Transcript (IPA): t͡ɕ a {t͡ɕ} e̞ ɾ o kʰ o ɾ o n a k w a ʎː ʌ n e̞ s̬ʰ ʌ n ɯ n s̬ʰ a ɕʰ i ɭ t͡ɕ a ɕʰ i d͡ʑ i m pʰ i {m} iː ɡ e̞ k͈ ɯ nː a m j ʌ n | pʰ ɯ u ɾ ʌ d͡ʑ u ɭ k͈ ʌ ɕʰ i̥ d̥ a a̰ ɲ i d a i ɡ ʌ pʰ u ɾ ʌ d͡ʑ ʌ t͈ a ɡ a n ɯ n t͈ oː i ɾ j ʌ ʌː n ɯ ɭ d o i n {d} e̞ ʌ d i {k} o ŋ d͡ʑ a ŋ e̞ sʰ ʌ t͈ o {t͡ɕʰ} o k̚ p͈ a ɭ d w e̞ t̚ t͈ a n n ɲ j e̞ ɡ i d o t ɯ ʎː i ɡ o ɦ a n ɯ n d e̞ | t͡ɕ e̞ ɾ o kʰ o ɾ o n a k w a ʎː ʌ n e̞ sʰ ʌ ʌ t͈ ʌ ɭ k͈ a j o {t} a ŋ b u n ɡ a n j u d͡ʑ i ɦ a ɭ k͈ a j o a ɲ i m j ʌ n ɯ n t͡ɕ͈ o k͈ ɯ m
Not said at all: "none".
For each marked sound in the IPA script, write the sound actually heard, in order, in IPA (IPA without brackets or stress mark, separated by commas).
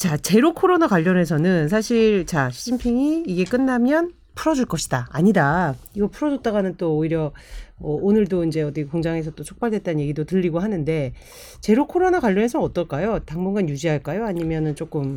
t͡ɕ, ŋ, d͡ʑ, k, t͡ɕʰ, t